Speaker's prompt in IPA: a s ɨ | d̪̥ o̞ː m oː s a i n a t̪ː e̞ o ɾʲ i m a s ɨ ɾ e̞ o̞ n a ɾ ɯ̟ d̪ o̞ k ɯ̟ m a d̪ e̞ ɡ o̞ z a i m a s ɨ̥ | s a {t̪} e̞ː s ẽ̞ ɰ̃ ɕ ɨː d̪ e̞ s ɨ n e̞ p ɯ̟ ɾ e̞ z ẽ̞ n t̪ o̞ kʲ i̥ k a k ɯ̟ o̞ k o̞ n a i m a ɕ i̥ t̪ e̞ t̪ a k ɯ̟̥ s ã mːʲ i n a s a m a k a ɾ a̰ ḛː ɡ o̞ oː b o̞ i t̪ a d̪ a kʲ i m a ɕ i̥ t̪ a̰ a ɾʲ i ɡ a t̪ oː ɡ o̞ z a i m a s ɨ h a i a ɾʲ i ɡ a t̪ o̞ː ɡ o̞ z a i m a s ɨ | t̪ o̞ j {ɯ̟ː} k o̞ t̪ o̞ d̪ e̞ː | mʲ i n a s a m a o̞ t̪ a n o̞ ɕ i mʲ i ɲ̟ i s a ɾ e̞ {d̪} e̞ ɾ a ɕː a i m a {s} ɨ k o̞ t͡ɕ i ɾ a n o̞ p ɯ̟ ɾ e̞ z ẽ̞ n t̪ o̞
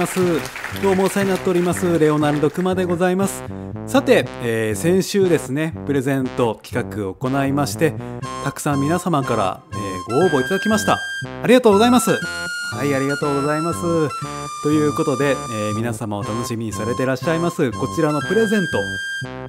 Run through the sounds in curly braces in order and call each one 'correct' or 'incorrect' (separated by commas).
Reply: correct, correct, incorrect, correct